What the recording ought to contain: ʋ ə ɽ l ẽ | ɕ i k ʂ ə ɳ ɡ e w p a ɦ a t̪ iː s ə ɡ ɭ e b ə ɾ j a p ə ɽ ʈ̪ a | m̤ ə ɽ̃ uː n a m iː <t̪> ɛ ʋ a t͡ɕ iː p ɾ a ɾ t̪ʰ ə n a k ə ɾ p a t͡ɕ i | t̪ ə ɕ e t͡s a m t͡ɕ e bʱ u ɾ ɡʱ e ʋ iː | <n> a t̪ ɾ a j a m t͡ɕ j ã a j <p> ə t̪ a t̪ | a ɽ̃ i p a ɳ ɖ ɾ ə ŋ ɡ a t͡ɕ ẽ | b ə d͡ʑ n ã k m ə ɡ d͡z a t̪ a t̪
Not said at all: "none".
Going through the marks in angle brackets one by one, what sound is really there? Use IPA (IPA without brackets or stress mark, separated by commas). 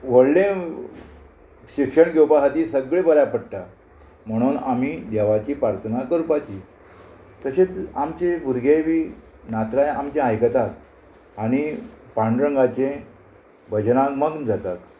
d̪, n, k